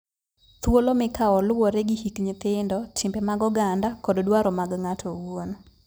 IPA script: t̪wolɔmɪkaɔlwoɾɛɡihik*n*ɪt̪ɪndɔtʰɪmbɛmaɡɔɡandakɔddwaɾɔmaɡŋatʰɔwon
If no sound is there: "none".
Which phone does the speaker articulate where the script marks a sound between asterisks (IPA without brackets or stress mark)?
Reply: ɲ